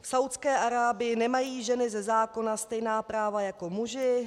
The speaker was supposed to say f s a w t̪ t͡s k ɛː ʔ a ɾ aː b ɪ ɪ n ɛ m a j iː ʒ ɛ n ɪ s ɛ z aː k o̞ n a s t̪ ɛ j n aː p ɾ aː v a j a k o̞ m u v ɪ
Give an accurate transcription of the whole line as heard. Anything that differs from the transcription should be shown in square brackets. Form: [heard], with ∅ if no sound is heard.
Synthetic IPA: f s a w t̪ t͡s k ɛː ʔ a ɾ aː b ɪ ɪ n ɛ m a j iː ʒ ɛ n ɪ [z] ɛ z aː k o̞ n a s t̪ ɛ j n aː p ɾ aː v a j a k o̞ m u [ʒ] ɪ